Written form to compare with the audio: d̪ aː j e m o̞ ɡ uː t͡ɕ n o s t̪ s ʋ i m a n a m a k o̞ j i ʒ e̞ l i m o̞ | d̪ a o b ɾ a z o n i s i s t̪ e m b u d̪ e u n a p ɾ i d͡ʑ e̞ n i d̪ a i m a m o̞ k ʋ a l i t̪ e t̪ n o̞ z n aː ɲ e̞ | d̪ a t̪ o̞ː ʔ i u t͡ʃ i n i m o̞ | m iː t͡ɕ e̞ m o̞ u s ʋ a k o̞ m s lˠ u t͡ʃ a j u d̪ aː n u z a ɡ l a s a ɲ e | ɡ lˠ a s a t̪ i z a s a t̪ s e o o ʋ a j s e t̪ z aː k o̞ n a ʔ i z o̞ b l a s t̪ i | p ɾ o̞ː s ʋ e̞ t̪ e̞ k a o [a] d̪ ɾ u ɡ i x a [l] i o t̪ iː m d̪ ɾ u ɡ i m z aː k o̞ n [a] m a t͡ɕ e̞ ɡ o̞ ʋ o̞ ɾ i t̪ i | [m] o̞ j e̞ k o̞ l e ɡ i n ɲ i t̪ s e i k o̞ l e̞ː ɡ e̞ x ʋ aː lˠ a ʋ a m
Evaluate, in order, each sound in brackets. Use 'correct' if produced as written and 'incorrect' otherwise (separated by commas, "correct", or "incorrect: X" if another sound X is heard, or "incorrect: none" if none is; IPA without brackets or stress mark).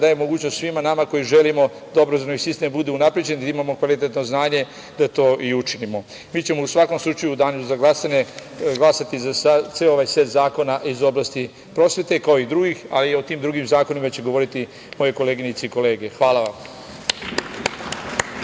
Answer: incorrect: i, correct, incorrect: i, correct